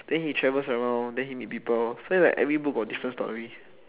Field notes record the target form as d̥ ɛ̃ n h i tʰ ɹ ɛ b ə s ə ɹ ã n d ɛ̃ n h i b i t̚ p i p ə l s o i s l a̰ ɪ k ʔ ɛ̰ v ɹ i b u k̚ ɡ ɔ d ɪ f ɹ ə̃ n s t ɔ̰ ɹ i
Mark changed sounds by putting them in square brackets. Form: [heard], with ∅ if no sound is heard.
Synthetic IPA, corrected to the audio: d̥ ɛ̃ n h i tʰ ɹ ɛ [v] ə s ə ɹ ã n d ɛ̃ n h i [m] i t̚ p i p ə l s o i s l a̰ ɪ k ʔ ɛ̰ v ɹ i b u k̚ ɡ ɔ d [i] f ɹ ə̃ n s t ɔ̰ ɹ i